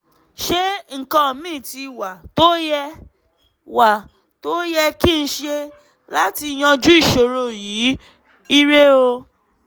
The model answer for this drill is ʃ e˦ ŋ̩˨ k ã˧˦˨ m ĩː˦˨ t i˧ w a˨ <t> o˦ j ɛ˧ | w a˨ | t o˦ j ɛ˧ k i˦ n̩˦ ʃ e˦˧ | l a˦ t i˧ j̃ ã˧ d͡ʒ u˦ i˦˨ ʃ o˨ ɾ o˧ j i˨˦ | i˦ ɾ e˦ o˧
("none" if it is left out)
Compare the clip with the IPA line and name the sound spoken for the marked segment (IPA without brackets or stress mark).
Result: t